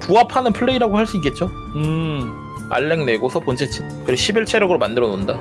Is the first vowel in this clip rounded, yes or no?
yes